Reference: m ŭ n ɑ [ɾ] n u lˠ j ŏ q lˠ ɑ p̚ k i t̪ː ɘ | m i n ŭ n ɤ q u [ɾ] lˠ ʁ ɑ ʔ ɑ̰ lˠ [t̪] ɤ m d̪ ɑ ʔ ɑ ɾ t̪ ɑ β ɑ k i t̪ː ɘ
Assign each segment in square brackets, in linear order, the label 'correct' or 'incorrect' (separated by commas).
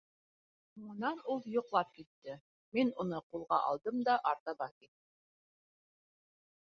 incorrect, incorrect, incorrect